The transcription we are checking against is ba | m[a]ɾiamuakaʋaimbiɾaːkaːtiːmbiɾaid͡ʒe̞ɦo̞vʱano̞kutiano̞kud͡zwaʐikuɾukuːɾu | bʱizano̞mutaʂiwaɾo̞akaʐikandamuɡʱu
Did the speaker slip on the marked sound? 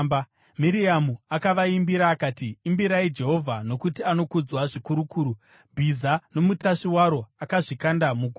yes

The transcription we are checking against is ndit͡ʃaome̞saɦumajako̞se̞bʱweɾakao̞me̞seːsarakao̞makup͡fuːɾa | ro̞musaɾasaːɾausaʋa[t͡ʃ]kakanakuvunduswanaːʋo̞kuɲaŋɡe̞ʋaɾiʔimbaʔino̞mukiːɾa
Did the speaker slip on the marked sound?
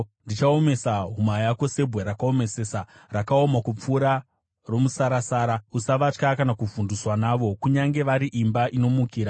no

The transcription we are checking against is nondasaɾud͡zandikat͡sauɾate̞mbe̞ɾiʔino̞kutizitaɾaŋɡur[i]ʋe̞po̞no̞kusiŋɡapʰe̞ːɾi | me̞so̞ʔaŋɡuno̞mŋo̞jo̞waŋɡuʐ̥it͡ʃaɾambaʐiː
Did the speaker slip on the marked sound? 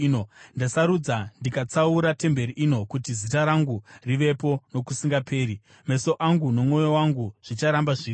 no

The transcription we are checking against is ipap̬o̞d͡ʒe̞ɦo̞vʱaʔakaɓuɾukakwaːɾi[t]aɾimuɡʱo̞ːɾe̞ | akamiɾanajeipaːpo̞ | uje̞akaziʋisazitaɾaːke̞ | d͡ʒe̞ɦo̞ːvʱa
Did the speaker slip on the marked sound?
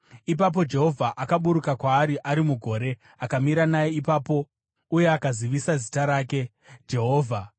yes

